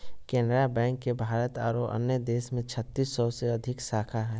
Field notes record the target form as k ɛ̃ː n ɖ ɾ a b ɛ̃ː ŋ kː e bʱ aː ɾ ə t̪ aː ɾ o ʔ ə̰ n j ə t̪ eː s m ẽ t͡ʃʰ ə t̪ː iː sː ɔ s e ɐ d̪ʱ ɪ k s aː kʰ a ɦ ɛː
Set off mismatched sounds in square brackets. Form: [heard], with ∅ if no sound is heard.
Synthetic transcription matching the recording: k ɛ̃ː n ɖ ɾ a b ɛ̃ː ŋ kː e bʱ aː ɾ ə t̪ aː ɾ o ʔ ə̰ n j ə [d̪] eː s m ẽ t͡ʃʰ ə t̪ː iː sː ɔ s e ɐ d̪ʱ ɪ k s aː kʰ a ɦ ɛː